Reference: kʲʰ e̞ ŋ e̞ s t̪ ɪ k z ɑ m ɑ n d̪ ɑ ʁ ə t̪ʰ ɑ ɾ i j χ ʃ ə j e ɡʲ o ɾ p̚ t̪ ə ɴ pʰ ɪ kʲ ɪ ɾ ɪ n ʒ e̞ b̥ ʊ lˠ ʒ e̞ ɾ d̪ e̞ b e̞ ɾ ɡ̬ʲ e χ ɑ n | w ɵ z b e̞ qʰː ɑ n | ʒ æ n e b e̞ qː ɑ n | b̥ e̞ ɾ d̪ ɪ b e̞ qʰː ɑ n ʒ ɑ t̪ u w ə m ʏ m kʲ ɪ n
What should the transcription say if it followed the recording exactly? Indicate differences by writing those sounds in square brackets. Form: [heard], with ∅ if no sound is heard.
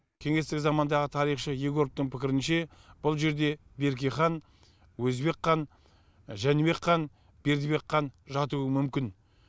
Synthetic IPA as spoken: kʲʰ e̞ ŋ e̞ s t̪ ɪ k z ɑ m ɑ n d̪ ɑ ʁ ə t̪ʰ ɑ ɾ i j χ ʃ ə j e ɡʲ o ɾ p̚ t̪ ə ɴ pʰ ɪ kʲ ɪ ɾ ɪ n [ʃ] e̞ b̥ ʊ lˠ ʒ e̞ ɾ d̪ e̞ b e̞ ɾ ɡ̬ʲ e χ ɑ n | w ɵ z b e̞ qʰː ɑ n | ʒ æ n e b e̞ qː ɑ n | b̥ e̞ ɾ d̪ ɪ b e̞ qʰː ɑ n ʒ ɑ t̪ u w ə m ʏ m kʲ ɪ n